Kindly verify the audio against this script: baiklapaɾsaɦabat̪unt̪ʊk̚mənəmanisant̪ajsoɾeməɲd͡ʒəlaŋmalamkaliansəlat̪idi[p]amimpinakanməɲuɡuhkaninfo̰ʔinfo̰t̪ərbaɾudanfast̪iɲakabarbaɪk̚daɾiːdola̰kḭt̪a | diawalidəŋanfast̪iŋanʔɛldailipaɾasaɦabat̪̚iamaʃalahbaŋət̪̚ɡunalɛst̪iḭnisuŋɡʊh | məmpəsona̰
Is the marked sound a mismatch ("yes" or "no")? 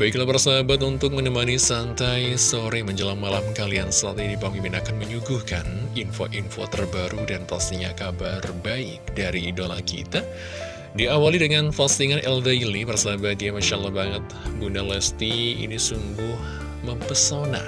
no